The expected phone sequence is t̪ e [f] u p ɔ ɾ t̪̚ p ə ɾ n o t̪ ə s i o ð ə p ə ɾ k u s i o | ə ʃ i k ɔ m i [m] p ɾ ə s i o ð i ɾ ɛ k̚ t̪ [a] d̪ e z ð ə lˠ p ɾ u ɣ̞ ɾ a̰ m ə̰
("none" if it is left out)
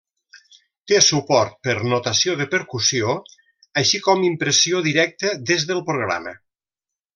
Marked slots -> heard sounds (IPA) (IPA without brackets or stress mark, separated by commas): s, m, ə